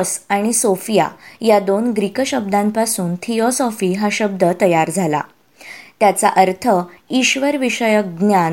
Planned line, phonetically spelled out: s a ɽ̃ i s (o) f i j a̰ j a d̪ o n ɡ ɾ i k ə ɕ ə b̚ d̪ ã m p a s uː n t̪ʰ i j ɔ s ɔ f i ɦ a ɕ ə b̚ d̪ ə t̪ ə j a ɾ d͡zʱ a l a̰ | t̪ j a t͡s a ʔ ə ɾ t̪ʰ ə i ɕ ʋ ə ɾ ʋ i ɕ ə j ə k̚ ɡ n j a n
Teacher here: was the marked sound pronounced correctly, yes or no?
yes